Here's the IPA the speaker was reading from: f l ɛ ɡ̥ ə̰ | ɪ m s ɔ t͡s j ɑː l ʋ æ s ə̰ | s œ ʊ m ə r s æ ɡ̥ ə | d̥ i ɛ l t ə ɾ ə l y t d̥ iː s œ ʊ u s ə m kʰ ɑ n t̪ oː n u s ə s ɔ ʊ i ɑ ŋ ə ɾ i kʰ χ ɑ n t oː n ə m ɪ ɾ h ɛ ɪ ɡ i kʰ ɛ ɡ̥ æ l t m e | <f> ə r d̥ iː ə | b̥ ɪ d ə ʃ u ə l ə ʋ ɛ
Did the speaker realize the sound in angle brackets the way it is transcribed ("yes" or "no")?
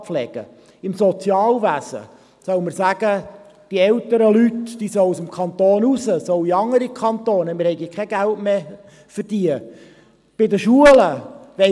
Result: yes